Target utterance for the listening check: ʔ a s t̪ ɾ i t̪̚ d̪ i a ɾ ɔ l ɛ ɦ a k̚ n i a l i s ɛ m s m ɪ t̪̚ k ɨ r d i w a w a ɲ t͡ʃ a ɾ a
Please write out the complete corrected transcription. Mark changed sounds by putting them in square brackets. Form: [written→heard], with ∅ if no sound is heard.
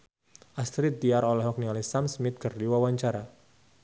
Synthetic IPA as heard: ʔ a s t̪ ɾ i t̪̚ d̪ i a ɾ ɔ l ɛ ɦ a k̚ n i a l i s [ɛ→a] m s m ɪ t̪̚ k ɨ r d i w a w a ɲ t͡ʃ a ɾ a